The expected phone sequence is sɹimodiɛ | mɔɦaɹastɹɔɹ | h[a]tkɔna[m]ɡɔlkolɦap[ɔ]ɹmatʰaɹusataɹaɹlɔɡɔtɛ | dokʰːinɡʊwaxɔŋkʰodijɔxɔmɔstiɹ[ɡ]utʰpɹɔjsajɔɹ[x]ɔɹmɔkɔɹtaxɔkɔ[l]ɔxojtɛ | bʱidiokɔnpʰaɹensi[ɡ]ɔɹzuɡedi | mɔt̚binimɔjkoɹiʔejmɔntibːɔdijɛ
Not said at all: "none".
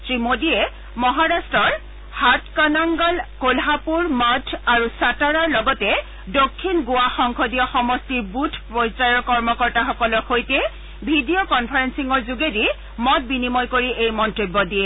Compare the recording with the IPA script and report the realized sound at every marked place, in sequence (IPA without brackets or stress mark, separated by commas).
a, ŋ, u, b, k, l, ŋ